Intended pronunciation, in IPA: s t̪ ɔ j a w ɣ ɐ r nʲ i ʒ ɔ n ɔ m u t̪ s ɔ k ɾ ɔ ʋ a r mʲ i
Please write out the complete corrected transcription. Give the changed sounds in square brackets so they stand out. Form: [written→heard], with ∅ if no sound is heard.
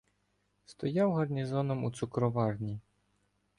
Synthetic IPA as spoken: s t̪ ɔ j a w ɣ ɐ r nʲ i [ʒ→z] ɔ n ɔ m u t̪ s [ɔ→u] k ɾ ɔ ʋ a r [mʲ→nʲ] i